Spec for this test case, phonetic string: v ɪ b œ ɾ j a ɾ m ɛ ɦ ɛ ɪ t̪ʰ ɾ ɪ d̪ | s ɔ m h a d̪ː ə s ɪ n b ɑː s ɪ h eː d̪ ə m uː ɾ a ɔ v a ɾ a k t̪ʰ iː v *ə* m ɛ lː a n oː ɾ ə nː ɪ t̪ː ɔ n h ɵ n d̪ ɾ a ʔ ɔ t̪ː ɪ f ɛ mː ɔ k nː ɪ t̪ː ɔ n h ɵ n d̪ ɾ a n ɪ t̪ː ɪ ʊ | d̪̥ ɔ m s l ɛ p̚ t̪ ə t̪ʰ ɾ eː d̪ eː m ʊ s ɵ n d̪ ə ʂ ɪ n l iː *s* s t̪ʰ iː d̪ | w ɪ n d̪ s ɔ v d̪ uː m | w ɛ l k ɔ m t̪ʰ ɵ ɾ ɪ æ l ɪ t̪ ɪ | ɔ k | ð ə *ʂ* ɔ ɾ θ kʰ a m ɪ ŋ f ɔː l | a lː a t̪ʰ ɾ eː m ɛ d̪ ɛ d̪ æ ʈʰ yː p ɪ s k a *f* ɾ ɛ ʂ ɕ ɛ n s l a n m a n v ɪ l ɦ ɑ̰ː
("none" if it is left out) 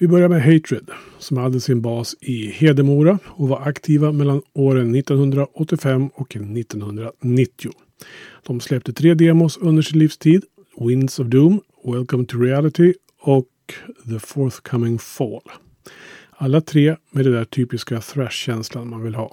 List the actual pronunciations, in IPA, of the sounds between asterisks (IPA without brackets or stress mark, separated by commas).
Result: a, f, f, θ